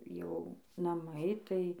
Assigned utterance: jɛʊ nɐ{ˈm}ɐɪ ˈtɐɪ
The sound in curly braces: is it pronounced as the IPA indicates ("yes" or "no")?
yes